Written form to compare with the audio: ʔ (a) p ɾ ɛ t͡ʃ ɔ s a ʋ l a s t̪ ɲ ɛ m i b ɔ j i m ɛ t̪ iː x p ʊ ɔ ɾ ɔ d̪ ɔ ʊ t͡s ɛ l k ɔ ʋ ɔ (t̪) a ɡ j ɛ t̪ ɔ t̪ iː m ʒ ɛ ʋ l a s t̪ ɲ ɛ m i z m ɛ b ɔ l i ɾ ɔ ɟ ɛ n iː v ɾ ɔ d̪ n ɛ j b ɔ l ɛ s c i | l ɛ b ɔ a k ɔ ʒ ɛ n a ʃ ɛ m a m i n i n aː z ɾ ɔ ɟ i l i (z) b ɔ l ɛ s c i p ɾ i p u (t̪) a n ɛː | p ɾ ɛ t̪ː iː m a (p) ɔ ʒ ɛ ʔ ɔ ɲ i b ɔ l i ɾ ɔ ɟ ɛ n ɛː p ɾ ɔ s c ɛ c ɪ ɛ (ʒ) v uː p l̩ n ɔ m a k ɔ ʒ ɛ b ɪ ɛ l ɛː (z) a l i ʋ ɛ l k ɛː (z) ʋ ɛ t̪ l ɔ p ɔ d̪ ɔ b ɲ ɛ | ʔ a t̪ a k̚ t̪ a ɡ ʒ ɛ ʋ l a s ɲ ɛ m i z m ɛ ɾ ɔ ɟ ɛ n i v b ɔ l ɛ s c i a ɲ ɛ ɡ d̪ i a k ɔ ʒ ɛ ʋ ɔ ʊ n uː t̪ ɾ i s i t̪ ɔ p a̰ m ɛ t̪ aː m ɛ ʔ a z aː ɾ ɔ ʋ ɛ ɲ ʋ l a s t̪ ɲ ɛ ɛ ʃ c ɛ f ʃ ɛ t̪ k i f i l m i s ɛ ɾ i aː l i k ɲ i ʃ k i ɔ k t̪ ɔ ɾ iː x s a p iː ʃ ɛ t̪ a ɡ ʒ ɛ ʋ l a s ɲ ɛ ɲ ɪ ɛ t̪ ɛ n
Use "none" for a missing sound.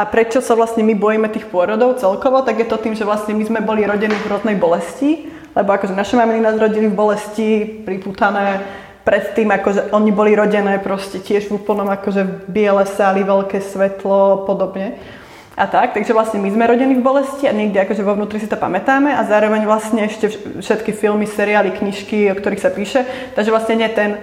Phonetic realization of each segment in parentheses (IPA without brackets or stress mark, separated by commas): a, t̪, v, t̪, k, ʒ, s, s